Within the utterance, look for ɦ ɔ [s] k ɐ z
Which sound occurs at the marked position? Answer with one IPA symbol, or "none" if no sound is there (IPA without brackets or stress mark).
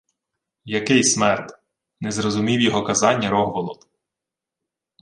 none